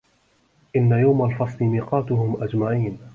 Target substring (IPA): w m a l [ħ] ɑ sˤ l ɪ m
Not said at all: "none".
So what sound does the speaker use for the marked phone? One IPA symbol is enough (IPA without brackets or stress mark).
f